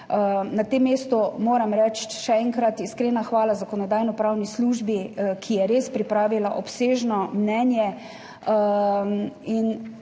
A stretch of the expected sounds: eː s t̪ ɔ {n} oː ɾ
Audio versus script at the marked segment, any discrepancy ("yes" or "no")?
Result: yes